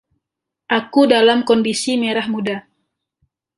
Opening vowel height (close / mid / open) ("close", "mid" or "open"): open